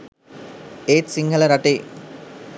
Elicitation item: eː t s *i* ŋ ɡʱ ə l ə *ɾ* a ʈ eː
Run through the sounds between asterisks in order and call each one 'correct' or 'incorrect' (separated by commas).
correct, correct